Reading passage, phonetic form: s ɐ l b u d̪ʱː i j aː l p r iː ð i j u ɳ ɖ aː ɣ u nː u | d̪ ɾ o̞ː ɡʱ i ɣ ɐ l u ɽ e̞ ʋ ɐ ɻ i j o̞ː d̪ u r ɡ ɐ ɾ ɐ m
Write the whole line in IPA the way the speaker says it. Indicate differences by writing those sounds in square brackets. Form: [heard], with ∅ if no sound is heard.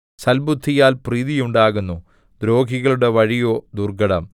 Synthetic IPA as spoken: s ɐ l b u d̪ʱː i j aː l p r iː ð i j u ɳ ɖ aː ɣ u nː u | d̪ ɾ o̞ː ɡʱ i ɣ ɐ [ɭ] u ɽ e̞ ʋ ɐ ɻ i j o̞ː d̪ u r ɡ ɐ [ɽ] ɐ m